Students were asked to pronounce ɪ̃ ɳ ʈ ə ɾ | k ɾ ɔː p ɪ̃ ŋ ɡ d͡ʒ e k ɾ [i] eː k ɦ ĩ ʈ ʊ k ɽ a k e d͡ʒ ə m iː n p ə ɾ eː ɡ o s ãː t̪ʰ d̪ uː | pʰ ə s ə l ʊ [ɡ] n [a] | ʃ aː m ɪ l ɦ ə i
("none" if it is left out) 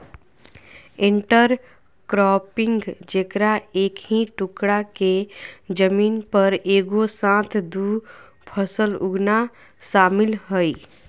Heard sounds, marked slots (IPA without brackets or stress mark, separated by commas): a, ɡ, a